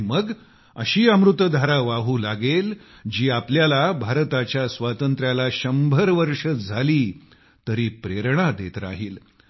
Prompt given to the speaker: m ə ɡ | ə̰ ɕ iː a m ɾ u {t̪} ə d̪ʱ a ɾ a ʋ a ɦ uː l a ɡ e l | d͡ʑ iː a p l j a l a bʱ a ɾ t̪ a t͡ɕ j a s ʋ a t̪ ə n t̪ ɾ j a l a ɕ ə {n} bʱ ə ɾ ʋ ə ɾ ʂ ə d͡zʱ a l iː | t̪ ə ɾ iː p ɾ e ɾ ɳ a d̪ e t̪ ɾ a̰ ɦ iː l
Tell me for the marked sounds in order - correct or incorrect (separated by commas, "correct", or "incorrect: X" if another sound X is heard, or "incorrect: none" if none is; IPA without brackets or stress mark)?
correct, incorrect: m